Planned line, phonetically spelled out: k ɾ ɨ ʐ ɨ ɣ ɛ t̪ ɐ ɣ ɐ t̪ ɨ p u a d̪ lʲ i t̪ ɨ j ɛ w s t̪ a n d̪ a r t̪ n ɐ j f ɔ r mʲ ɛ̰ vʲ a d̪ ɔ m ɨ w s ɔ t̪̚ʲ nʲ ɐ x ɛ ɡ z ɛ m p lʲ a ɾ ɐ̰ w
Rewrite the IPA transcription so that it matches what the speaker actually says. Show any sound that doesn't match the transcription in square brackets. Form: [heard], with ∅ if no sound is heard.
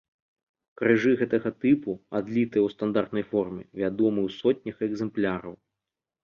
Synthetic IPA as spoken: k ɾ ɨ ʐ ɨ ɣ ɛ t̪ ɐ ɣ ɐ t̪ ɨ p u a d̪ lʲ i t̪ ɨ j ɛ w s t̪ a n d̪ a r t̪ n ɐ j f ɔ r mʲ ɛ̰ vʲ a d̪ ɔ m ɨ w s ɔ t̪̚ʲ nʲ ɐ x ɛ ɡ z ɛ m p lʲ a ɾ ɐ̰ w

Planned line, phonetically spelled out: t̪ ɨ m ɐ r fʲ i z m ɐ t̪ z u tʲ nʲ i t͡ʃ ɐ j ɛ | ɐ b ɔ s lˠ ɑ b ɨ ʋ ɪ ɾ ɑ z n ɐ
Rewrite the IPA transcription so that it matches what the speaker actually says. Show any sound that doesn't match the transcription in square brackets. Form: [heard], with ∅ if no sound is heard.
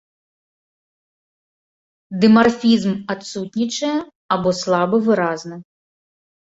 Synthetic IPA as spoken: [d̪] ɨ m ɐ r fʲ i z m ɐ t̪ [s] u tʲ nʲ i t͡ʃ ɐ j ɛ | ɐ b ɔ s lˠ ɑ b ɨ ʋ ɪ ɾ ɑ z n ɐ

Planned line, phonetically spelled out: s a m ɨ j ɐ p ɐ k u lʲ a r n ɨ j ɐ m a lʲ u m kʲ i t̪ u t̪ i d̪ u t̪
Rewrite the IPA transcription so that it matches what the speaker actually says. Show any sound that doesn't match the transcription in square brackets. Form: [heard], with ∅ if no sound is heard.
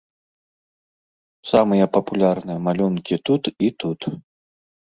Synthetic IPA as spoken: s a m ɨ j ɐ p ɐ [p] u lʲ a r n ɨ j ɐ m a lʲ u [n] kʲ i t̪ u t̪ i [t̪] u t̪

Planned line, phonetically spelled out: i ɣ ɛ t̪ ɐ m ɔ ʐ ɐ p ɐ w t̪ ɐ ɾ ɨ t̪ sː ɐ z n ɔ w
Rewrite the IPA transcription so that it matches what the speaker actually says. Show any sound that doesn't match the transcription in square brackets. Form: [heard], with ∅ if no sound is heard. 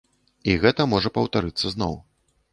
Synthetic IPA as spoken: i ɣ ɛ t̪ ɐ m ɔ ʐ ɐ p ɐ w t̪ [a] ɾ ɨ t̪ sː ɐ z n ɔ w

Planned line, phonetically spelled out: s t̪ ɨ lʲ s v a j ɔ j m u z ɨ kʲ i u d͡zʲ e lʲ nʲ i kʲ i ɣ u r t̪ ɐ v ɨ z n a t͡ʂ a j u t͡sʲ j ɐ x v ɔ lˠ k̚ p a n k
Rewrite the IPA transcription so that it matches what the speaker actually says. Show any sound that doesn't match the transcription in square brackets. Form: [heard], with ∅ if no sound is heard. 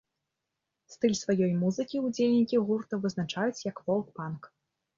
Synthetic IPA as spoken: s t̪ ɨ lʲ s v a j ɔ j m u z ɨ kʲ i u d͡zʲ e lʲ nʲ i kʲ i ɣ u r t̪ ɐ v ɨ z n a t͡ʂ a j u t͡sʲ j ɐ [k] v ɔ lˠ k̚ p a n k

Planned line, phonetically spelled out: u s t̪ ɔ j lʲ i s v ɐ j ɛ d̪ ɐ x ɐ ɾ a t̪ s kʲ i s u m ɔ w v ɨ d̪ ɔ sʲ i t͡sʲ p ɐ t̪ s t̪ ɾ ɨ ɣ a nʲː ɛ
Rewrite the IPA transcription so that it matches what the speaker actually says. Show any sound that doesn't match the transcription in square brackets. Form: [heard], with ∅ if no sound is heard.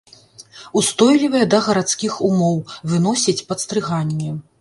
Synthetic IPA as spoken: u s t̪ ɔ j lʲ i [∅] v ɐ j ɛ d̪ ɐ [ɣ] ɐ ɾ a t̪ s kʲ i [x] u m ɔ w v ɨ [n̪] ɔ sʲ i t͡sʲ p ɐ t̪ s t̪ ɾ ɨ ɣ a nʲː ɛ

